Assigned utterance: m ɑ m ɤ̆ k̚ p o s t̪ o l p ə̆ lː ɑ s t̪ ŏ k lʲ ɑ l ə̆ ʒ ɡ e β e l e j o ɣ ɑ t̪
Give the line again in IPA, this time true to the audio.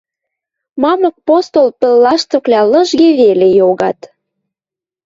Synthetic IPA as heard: m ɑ m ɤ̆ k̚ p o s t̪ o l p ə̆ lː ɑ ʃ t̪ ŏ k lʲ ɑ l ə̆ ʒ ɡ e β e l e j o ɣ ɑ t̪